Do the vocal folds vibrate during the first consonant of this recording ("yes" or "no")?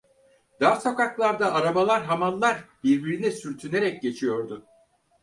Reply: yes